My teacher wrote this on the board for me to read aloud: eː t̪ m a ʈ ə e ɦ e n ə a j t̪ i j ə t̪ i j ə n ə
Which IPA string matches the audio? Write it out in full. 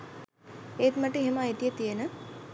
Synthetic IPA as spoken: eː t̪ m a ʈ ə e ɦ e m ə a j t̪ i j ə t̪ i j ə n ə